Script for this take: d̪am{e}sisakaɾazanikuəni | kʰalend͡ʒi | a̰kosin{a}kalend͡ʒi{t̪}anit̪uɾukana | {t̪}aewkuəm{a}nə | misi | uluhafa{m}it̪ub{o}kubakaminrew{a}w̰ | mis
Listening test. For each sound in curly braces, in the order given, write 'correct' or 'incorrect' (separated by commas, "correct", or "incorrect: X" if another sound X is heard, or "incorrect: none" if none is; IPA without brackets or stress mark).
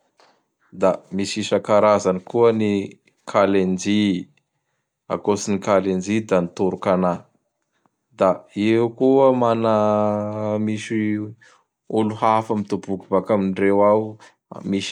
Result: incorrect: i, incorrect: i, incorrect: d̪, incorrect: d̪, correct, correct, incorrect: u, correct